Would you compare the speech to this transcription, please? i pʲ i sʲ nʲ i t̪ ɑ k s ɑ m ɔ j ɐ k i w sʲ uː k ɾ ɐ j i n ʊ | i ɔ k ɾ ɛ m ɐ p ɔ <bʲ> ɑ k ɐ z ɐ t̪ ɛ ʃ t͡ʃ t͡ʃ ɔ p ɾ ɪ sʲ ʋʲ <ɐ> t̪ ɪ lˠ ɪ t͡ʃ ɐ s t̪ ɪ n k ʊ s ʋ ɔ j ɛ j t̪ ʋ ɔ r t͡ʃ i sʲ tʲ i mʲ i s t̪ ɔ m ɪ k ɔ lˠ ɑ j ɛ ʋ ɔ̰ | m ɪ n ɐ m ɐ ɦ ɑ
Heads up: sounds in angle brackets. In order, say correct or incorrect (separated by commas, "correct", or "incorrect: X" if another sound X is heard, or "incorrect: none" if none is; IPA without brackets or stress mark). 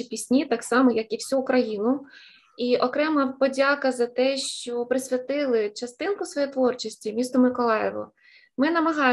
incorrect: dʲ, correct